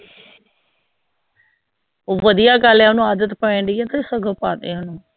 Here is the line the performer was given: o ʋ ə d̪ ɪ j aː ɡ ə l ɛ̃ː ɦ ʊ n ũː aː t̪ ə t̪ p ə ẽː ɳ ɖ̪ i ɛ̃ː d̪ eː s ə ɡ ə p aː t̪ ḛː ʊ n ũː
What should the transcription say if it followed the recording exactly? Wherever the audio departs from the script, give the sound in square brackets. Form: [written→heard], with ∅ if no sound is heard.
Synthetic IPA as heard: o ʋ ə d̪ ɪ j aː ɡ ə l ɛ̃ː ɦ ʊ n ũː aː [t̪→d̪] ə t̪ p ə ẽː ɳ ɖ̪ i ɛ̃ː [d̪→t̪] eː s ə ɡ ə p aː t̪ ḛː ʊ n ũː

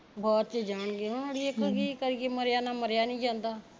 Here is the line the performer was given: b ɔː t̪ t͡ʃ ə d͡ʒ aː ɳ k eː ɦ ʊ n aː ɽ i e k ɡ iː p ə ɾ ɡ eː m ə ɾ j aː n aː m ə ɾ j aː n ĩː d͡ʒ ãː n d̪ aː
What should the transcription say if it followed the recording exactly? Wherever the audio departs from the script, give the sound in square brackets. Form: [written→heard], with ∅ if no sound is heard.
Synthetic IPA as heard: b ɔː t̪ t͡ʃ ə d͡ʒ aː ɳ [k→ɡ] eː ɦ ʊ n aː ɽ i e k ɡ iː [p→k] ə ɾ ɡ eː m ə ɾ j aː n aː m ə ɾ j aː n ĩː d͡ʒ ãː n d̪ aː

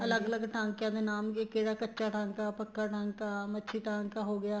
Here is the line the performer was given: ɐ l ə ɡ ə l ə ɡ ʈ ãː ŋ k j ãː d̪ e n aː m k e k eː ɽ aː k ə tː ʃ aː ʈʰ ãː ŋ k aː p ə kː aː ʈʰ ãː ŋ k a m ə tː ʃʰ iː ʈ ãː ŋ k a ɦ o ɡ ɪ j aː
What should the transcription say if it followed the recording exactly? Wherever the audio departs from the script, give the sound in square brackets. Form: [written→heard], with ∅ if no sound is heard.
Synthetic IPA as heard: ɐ l ə ɡ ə l ə ɡ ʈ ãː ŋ k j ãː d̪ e n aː m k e k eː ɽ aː k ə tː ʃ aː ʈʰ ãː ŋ k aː p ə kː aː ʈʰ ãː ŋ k a m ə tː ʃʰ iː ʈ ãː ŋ k a ɦ o ɡ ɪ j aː

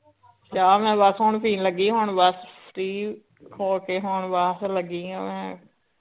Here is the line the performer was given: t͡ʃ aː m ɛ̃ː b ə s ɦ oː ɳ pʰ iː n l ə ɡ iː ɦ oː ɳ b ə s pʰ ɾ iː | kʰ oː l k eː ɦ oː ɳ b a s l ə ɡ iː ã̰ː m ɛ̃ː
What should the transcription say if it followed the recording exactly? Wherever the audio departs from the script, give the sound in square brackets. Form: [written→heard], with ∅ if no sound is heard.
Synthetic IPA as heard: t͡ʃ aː m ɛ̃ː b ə s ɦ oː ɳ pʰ iː n l ə ɡ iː ɦ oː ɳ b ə s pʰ ɾ iː | kʰ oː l k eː ɦ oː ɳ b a s l ə ɡ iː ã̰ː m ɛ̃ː

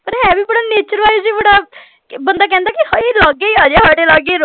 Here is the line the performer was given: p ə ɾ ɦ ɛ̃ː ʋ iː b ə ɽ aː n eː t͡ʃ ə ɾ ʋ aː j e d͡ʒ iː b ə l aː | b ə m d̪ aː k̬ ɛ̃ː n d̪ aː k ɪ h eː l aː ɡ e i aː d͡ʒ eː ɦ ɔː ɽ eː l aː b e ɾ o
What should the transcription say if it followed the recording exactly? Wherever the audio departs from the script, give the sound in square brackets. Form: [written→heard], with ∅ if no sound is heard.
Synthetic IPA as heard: p ə ɾ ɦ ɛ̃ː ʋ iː b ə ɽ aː n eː t͡ʃ ə ɾ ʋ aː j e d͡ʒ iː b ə [l→ɽ] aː | b ə [m→n] d̪ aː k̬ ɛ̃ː n d̪ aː k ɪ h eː l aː ɡ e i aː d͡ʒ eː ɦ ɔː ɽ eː l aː [b→ɡ] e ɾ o

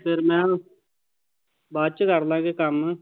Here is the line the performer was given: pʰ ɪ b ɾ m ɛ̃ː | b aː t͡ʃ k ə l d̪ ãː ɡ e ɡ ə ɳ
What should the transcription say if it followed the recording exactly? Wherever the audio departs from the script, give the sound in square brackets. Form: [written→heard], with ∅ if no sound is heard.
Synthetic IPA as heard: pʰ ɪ [b→∅] ɾ m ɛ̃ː | b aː t͡ʃ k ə [l→ɾ] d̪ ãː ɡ e [ɡ→k] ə [ɳ→m]

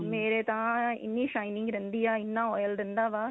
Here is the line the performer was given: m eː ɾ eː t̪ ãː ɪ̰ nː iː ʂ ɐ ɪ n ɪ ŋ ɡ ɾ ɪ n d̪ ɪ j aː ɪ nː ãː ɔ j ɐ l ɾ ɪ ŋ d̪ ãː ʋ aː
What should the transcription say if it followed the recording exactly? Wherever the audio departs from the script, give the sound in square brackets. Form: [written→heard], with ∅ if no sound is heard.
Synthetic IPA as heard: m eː ɾ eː t̪ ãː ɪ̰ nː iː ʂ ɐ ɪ n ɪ ŋ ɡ ɾ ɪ n d̪ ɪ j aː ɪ nː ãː ɔ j ɐ l ɾ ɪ [ŋ→n] d̪ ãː ʋ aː

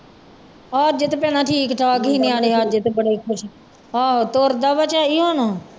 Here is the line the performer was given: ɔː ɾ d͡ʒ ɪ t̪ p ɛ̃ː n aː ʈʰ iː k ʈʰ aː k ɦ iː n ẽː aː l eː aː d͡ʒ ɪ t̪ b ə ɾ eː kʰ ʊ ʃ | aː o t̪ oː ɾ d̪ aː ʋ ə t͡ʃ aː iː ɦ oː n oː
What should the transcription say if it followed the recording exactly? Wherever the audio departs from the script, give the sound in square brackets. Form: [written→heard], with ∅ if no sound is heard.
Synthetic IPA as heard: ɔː ɾ d͡ʒ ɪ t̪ p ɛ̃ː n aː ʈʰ iː k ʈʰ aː k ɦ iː n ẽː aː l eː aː d͡ʒ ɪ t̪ b ə [ɾ→ɽ] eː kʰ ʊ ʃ | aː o t̪ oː ɾ d̪ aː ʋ ə t͡ʃ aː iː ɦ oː n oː

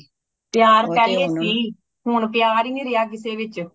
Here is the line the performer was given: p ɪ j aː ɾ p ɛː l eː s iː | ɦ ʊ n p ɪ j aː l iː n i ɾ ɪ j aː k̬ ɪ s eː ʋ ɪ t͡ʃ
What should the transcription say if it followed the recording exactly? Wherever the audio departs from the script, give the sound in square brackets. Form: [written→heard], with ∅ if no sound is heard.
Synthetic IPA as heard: p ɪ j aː ɾ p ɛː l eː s iː | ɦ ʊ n p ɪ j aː [l→ɾ] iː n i ɾ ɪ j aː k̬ ɪ s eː ʋ ɪ t͡ʃ

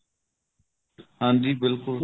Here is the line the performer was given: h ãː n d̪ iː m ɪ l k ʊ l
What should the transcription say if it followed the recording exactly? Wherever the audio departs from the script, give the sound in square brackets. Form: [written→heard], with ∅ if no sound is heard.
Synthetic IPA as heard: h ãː n d̪ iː [m→b] ɪ l k ʊ l

